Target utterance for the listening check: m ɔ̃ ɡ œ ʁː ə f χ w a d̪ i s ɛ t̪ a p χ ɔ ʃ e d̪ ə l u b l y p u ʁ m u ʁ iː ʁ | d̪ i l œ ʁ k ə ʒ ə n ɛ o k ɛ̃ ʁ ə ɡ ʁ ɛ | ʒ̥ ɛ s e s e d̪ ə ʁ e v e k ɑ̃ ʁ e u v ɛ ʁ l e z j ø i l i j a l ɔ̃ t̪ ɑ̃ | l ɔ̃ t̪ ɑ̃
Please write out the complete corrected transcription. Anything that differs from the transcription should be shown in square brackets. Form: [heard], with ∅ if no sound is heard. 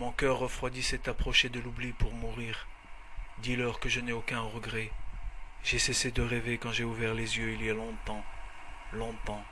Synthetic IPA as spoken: m ɔ̃ [k] œ ʁː ə f χ w a d̪ i s ɛ t̪ a p χ ɔ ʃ e d̪ ə l u b l [i] p u ʁ m u ʁ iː ʁ | d̪ i l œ ʁ k ə ʒ ə n ɛ o k ɛ̃ ʁ ə ɡ ʁ ɛ | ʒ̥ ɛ s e s e d̪ ə ʁ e v e k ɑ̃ [ʒ] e u v ɛ ʁ l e z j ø i l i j a l ɔ̃ t̪ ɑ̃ | l ɔ̃ t̪ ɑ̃